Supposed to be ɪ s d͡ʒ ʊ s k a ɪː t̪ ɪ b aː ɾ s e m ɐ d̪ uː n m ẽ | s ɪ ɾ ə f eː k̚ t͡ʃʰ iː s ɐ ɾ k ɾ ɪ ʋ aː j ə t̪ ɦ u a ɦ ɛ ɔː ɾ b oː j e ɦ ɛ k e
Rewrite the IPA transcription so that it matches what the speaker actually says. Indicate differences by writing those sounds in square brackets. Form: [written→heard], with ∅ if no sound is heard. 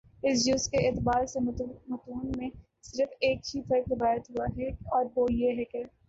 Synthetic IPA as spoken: ɪ s d͡ʒ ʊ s k [a→e] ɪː t̪ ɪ b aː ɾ s e m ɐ [d̪→t̪] uː n m ẽ | s ɪ ɾ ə f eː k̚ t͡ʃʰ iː [s→f] ɐ ɾ k ɾ ɪ ʋ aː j ə t̪ ɦ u a ɦ ɛ ɔː ɾ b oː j e ɦ ɛ k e